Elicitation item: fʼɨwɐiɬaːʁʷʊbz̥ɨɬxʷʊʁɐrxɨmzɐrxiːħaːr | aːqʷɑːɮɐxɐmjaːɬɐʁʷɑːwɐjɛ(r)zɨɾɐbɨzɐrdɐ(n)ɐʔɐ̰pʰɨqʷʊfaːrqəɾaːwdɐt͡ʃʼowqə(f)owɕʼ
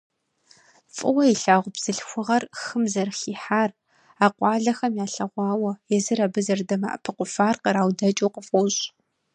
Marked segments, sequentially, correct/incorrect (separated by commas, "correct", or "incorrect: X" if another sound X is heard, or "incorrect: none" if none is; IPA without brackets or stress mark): incorrect: none, incorrect: m, correct